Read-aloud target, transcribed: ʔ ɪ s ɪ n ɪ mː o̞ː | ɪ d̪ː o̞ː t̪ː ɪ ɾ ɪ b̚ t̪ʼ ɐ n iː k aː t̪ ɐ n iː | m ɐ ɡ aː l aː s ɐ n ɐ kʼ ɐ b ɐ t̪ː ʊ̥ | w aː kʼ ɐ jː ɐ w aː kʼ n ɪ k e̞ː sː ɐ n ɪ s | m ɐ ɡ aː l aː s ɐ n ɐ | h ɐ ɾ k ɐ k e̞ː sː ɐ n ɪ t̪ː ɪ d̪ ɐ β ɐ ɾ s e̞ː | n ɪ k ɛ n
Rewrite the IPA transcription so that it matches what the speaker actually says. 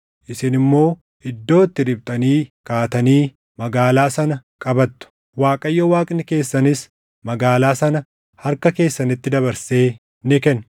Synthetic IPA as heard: ʔ ɪ s ɪ n ɪ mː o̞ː | ɪ d̪ː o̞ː t̪ː ɪ ɾ ɪ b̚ t̪ʼ ɐ n iː k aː t̪ ɐ n iː | m ɐ ɡ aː l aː s ɐ n ɐ kʼ ɐ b ɐ t̪ː ʊ̥ | w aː kʼ ɐ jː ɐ w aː kʼ n ɪ k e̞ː sː ɐ n ɪ s | m ɐ ɡ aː l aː s ɐ n ɐ | h ɐ ɾ k ɐ k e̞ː sː ɐ n ɪ t̪ː ɪ d̪ ɐ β ɐ ɾ s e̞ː | n ɪ k ɛ n